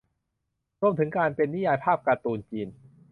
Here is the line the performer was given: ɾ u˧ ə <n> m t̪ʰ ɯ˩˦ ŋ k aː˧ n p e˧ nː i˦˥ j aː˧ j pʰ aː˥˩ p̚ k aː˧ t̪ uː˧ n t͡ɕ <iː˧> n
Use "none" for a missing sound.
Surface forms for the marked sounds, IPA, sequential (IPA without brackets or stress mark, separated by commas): none, iː˧